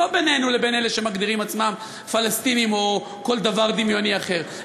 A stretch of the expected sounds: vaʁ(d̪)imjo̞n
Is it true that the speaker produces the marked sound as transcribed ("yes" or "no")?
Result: yes